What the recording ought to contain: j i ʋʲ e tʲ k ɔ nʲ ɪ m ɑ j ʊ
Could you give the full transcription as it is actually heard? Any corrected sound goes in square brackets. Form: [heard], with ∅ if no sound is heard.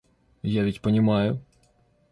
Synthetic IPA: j [a] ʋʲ [i] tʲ [p] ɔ nʲ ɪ m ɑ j ʊ